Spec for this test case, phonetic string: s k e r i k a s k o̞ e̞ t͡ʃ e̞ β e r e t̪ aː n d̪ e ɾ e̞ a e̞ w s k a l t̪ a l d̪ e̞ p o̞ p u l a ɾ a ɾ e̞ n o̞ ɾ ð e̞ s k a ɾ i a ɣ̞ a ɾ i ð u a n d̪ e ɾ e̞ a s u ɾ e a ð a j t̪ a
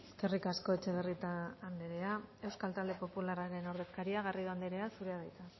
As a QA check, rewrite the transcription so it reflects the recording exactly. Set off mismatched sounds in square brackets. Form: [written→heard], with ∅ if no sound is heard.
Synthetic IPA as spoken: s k e r i k a s k o̞ e̞ t͡ʃ e̞ β e r [e→i] t̪ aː n d̪ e ɾ e̞ a e̞ w s k a l t̪ a l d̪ e̞ p o̞ p u l a ɾ a ɾ e̞ n o̞ ɾ ð e̞ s k a ɾ i a ɣ̞ a [ɾ→r] i ð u a n d̪ e ɾ e̞ a s u ɾ e a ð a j t̪ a